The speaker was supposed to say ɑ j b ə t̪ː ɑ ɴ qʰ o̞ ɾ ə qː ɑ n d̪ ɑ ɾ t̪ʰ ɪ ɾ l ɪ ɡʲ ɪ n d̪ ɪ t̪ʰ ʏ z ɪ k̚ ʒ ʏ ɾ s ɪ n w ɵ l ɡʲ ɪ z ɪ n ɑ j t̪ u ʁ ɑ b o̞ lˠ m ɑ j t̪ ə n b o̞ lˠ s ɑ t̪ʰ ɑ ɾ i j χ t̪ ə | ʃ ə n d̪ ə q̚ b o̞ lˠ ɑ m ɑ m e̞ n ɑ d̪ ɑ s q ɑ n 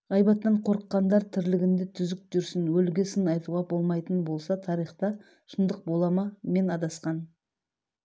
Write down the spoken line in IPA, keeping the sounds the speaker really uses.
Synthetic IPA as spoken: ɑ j b ɑ t̪ː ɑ ɴ qʰ o̞ ɾ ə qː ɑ n d̪ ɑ ɾ t̪ʰ ɪ ɾ l ɪ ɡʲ ɪ n d̪ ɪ t̪ʰ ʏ z ɪ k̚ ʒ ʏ ɾ s ɪ n w ɵ l ɡʲ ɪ s ɪ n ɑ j t̪ u ʁ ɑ b o̞ lˠ m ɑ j t̪ ə n b o̞ lˠ s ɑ t̪ʰ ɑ ɾ i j χ t̪ ɑ | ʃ ə n d̪ ə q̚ b o̞ lˠ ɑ m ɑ m e̞ n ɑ d̪ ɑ s q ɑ n